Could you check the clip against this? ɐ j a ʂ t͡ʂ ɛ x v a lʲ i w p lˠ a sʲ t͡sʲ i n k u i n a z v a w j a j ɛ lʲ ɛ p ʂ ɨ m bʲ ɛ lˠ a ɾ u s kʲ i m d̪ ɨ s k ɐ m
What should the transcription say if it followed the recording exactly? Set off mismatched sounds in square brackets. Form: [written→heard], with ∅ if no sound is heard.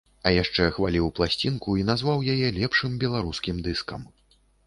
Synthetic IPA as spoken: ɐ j a ʂ t͡ʂ ɛ x v a lʲ i w p lˠ a sʲ t͡sʲ i n k u i n a z v a w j a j ɛ lʲ ɛ p ʂ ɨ m bʲ ɛ lˠ a ɾ u s kʲ i m d̪ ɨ s k ɐ m